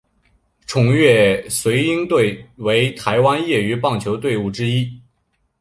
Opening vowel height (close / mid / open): close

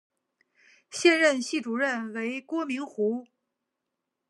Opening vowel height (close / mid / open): mid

